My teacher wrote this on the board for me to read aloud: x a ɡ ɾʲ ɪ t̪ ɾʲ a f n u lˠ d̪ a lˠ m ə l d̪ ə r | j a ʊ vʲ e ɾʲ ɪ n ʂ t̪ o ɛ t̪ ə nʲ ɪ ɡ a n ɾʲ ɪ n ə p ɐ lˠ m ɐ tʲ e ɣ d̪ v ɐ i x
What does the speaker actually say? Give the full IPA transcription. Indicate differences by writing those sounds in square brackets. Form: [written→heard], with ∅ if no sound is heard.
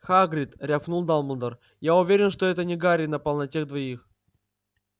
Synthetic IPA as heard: x a ɡ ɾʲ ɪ t̪ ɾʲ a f n u lˠ d̪ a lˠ m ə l d̪ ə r | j a ʊ vʲ e ɾʲ ɪ n ʂ t̪ o ɛ t̪ ə nʲ ɪ ɡ a [n→∅] ɾʲ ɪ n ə p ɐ lˠ [m→n] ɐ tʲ e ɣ d̪ v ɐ i x